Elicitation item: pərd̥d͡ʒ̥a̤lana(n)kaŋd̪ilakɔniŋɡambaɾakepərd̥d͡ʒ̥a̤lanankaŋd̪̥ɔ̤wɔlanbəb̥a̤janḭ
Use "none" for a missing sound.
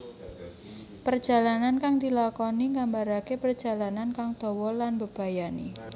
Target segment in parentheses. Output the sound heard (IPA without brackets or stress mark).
n